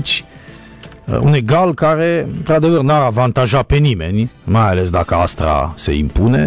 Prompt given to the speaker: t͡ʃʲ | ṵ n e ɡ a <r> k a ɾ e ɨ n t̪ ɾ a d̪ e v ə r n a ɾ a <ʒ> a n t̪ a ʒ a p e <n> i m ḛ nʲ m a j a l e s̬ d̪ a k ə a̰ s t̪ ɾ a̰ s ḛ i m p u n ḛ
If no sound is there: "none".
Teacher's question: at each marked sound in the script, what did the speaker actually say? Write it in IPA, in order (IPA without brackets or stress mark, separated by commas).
l, v, n